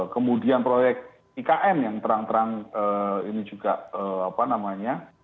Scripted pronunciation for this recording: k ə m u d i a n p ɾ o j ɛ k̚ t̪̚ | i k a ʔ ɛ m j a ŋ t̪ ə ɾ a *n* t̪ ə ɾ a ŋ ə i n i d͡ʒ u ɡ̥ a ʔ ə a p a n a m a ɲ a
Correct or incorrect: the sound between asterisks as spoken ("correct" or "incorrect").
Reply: incorrect